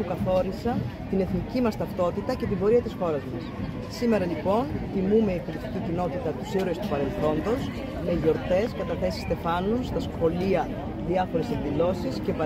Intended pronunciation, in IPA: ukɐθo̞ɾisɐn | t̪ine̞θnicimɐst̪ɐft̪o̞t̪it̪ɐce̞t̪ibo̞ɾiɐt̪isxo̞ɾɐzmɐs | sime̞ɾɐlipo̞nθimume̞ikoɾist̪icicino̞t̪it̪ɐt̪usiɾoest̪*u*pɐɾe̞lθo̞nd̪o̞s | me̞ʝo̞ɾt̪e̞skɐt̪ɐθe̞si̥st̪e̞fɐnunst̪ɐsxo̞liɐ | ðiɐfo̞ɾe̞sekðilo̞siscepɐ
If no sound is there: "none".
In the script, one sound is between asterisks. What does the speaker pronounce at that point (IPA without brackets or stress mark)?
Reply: u